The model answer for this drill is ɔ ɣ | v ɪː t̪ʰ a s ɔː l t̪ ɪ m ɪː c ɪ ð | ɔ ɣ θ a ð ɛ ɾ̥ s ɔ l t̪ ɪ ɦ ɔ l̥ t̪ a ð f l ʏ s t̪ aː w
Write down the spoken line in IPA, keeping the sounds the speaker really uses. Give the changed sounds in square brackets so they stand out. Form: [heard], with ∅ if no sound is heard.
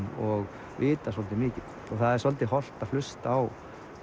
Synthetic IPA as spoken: ɔ ɣ | v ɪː [t̪] a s [ɔ] l t̪ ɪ m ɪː c ɪ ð | ɔ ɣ θ a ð ɛ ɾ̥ s ɔ l t̪ ɪ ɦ ɔ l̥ t̪ a ð f l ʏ s t̪ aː w